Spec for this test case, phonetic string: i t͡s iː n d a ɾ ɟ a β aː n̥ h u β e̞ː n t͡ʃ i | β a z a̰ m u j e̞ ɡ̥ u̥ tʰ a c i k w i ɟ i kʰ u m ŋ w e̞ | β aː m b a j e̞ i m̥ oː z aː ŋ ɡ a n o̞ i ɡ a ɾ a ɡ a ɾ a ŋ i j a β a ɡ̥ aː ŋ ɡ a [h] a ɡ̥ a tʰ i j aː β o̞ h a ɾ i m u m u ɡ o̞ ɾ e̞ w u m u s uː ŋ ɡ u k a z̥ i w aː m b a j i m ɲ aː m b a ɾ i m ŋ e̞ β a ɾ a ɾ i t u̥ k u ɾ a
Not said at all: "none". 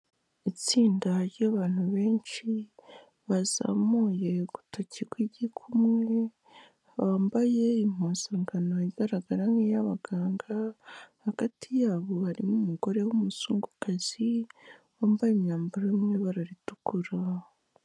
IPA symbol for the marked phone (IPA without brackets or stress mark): h